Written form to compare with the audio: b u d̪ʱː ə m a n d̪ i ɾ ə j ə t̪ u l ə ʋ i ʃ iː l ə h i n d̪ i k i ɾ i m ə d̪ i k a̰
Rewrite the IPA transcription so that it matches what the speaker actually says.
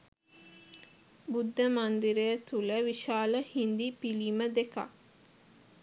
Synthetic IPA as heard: b u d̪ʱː ə m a n d̪ i ɾ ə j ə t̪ u l ə ʋ i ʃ aː l ə h i n d̪ i p i l i m ə d̪ e k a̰